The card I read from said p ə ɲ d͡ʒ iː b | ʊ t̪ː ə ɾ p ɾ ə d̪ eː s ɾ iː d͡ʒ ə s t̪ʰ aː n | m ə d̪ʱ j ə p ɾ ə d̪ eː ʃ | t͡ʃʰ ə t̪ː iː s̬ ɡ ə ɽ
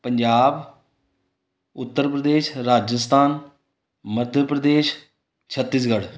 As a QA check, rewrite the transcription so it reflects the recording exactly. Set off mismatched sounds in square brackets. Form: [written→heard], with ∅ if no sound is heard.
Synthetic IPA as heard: p ə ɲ d͡ʒ [iː→aː] b | ʊ t̪ː ə ɾ p ɾ ə d̪ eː [s→ʃ] ɾ [iː→aː] d͡ʒ ə s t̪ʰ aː n | m ə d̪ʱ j ə p ɾ ə d̪ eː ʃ | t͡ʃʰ ə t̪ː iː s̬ ɡ ə ɽ